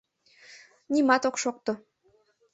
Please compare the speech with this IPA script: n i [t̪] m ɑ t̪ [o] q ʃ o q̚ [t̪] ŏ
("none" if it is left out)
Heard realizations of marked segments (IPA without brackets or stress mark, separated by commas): none, o, t̪